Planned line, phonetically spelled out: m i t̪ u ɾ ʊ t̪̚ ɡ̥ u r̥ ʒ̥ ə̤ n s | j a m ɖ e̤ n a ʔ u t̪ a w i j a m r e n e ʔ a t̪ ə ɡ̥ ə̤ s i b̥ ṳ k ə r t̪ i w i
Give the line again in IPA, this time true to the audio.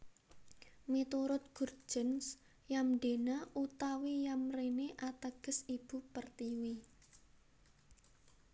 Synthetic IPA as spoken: m i t̪ u ɾ ʊ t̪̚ ɡ̥ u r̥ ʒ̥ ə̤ n s | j a m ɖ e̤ n a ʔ u t̪ a w i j a m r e n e ʔ a t̪ ə ɡ̥ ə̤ s i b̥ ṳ p ə r t̪ i w i